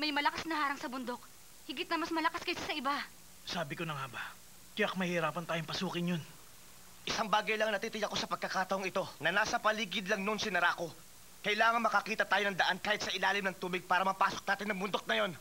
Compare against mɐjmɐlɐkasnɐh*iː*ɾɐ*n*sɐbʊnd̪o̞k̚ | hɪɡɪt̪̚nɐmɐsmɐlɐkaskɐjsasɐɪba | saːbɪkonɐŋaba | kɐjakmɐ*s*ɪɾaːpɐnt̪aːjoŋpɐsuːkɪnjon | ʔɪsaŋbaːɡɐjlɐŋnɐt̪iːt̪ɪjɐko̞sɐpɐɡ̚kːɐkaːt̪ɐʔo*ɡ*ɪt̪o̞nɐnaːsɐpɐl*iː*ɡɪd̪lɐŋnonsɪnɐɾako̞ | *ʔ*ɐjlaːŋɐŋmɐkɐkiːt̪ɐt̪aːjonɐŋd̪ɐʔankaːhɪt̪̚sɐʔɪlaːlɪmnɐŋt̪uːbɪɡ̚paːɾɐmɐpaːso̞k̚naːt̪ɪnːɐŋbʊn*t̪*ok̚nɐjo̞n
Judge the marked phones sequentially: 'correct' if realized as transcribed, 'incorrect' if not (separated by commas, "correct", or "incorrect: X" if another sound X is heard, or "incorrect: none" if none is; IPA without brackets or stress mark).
incorrect: aː, incorrect: ŋ, incorrect: h, incorrect: ŋ, correct, incorrect: k, incorrect: d̪